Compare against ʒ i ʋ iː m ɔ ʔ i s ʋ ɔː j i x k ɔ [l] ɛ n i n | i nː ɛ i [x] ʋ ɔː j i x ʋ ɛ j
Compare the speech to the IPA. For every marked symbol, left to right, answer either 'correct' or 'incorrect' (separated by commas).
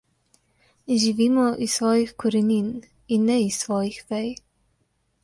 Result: incorrect, incorrect